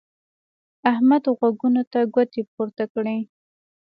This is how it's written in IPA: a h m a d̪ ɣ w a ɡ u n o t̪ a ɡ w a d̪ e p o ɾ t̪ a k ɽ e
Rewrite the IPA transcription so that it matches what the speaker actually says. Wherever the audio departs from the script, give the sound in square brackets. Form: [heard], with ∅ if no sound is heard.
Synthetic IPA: a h m a d̪ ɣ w a ɡ u n o t̪ a ɡ w a [t̪] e p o ɾ t̪ a k ɽ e